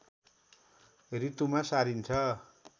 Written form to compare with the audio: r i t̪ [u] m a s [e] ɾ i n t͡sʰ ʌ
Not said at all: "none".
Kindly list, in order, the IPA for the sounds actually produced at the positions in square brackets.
u, a

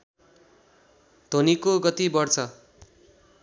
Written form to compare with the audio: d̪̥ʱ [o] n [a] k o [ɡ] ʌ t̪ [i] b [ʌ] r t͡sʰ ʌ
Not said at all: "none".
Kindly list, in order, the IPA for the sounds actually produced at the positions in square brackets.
o, i, ɡ, i, ʌ

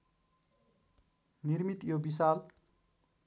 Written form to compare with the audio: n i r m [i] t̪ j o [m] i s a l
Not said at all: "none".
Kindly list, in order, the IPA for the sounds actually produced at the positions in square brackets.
i, b

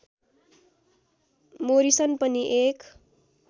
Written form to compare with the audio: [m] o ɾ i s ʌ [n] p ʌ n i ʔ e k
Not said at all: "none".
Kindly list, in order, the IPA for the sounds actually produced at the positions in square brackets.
m, n

